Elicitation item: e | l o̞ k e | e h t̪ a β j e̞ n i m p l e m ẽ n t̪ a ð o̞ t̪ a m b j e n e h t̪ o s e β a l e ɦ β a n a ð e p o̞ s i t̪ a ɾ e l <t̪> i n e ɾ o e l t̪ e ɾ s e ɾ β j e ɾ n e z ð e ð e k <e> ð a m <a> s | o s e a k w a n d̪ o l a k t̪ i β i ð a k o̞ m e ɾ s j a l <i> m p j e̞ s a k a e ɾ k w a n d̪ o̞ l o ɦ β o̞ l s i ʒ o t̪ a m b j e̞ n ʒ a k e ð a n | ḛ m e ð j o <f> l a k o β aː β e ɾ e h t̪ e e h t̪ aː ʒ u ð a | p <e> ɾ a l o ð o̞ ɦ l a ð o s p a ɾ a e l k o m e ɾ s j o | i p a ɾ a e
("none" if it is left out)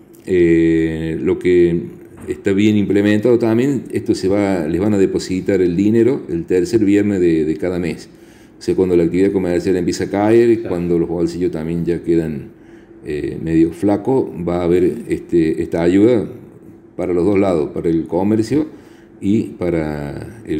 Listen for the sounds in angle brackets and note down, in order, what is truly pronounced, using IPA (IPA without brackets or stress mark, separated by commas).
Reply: d̪, a, e, e, f, a